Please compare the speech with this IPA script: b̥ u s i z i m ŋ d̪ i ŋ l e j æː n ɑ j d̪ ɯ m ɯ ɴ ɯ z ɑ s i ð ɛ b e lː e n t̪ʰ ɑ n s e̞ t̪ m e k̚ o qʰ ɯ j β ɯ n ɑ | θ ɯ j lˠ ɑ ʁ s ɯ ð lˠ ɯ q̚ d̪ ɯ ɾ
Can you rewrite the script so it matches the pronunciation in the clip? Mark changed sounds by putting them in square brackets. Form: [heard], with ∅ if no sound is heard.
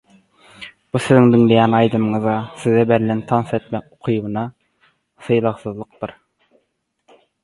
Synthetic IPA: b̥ u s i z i [∅] ŋ d̪ i ŋ l e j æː n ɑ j d̪ ɯ m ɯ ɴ ɯ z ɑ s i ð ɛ b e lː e n t̪ʰ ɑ n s e̞ t̪ m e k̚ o qʰ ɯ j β ɯ n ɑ | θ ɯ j lˠ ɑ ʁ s ɯ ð lˠ ɯ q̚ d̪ ɯ ɾ